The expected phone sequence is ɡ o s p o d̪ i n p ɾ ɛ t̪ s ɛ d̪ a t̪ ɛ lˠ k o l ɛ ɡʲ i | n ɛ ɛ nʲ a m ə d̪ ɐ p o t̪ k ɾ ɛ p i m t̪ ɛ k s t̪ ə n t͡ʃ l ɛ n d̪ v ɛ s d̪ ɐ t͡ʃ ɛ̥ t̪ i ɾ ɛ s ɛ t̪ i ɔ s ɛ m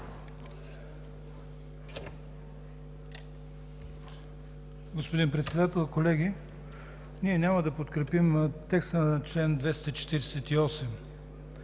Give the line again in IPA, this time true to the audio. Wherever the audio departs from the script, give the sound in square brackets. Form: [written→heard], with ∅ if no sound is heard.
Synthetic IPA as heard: ɡ o s p o d̪ i n p ɾ ɛ t̪ s ɛ d̪ a t̪ ɛ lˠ k o l ɛ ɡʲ i | n [ɛ→i] ɛ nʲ a m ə d̪ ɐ p o t̪ k ɾ ɛ p i m t̪ ɛ k s t̪ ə n t͡ʃ l ɛ n d̪ v ɛ s [d̪→t̪] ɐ t͡ʃ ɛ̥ t̪ i ɾ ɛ s ɛ t̪ i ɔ s ɛ m